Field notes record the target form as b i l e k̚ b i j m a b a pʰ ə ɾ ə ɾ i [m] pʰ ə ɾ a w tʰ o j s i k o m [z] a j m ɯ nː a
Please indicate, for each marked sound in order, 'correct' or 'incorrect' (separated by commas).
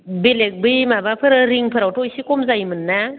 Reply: incorrect, correct